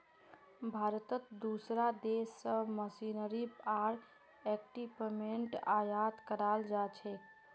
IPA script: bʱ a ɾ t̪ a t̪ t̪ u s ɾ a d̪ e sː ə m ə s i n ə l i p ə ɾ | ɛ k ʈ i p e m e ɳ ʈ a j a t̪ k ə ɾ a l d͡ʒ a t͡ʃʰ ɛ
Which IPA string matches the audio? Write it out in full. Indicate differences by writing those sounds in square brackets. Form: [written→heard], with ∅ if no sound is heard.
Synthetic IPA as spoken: bʱ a ɾ t̪ [a→ə] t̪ [t̪→d̪] u s ɾ a d̪ e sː ə m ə s i n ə [l→ɾ] i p [ə→a] ɾ | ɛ k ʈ i p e m e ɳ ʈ a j a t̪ k ə ɾ a l d͡ʒ a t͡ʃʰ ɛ